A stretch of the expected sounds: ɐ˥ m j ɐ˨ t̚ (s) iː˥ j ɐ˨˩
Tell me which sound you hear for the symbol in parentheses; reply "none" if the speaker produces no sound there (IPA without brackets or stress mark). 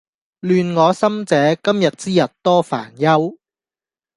t͡s